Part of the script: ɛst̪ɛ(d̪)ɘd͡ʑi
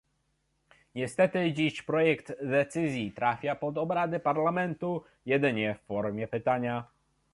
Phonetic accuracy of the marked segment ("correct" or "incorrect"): incorrect